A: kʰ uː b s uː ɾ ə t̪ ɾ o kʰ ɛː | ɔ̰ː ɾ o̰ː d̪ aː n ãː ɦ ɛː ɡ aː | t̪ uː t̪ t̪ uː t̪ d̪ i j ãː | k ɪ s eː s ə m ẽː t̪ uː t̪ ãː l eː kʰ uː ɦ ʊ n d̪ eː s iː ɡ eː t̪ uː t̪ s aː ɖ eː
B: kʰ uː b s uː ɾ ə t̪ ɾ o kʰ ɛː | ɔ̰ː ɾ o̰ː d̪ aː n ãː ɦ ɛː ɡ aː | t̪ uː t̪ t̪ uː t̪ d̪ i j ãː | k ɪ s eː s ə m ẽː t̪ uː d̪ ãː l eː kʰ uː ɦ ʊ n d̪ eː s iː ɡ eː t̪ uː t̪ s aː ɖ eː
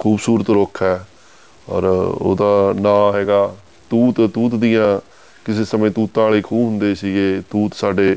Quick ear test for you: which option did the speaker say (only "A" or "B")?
A